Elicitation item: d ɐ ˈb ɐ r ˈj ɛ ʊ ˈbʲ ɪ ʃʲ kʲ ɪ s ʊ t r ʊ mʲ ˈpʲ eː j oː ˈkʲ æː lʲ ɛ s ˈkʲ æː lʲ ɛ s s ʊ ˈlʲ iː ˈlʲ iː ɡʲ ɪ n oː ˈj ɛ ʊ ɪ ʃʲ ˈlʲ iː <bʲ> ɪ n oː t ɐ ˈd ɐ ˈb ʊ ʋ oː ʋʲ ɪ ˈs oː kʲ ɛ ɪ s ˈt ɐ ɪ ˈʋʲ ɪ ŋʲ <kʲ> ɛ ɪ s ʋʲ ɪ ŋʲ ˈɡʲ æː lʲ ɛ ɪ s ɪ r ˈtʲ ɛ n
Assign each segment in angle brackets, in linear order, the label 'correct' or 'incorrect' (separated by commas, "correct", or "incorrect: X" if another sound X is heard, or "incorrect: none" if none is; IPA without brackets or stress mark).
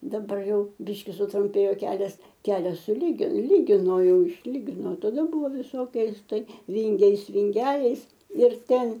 incorrect: ɡʲ, incorrect: ɡʲ